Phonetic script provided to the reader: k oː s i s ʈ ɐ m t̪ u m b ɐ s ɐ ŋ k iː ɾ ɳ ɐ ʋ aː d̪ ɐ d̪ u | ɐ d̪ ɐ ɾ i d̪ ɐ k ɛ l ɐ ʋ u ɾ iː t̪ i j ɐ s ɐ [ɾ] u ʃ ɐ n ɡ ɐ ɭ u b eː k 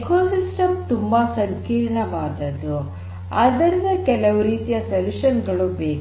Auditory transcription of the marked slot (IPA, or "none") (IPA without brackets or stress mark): l